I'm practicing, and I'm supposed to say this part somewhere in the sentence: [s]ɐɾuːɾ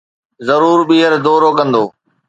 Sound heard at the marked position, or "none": z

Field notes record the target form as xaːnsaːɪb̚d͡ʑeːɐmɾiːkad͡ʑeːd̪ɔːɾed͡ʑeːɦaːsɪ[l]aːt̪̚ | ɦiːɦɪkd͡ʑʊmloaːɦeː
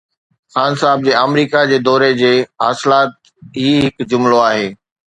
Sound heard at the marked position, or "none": l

